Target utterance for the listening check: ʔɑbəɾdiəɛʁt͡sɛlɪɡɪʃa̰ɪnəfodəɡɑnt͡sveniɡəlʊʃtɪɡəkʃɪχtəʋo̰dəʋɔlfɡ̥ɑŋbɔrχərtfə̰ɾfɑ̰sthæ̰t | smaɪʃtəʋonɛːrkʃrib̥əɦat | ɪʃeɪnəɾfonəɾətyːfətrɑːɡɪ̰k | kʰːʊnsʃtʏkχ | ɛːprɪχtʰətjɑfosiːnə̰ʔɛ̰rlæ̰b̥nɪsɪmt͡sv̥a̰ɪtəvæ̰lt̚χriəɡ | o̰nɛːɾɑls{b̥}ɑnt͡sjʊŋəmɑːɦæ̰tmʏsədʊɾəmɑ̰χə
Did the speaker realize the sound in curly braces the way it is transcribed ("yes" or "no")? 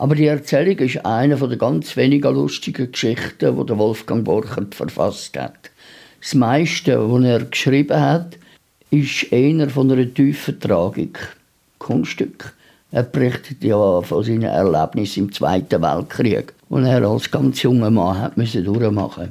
no